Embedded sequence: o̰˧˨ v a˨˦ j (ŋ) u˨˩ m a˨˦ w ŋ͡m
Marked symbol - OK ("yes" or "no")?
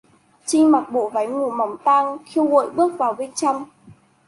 yes